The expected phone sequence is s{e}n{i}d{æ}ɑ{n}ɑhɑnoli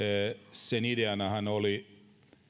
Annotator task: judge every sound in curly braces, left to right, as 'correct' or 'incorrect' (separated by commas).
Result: correct, correct, incorrect, correct